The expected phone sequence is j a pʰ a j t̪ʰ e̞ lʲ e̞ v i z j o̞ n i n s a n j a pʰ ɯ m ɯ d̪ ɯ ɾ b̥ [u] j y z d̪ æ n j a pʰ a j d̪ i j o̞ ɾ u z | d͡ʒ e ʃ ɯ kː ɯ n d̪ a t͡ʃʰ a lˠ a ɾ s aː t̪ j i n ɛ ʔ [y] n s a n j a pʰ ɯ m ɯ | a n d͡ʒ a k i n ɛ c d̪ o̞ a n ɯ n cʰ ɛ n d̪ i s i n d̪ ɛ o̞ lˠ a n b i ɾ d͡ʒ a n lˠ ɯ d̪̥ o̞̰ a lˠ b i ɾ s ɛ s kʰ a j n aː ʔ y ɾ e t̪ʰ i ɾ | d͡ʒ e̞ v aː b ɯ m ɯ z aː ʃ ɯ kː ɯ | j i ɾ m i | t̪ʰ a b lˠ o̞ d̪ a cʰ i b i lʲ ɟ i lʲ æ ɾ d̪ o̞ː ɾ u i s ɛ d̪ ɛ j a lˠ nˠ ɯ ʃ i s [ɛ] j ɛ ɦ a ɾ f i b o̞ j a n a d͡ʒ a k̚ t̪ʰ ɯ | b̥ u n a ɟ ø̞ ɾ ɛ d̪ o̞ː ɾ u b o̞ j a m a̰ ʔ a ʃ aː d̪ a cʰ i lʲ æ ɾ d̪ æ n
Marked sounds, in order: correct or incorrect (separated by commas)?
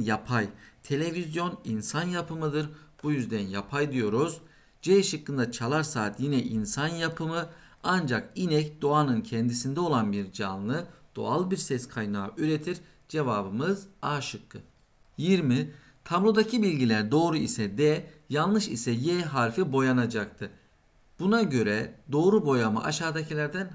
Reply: correct, incorrect, correct